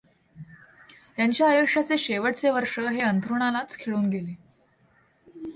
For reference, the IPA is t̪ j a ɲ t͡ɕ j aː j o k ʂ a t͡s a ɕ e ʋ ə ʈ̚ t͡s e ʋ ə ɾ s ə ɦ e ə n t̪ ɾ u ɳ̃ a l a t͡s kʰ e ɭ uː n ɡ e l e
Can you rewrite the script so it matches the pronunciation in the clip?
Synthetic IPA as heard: t̪ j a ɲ t͡ɕ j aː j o k ʂ a t͡s e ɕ e ʋ ə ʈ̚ t͡s e ʋ ə ɾ ʂ ə ɦ e ə n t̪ ɾ u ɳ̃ a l a t͡s kʰ e ɭ uː n ɡ e l e